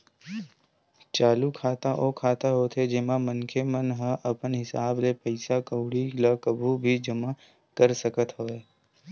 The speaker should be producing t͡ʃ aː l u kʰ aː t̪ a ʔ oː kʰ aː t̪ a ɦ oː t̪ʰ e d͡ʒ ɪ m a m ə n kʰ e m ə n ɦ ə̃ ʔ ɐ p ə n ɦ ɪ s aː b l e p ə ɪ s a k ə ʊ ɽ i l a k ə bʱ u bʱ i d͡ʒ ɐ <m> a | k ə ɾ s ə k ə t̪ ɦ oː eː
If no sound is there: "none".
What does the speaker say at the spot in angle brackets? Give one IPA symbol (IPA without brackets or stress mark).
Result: m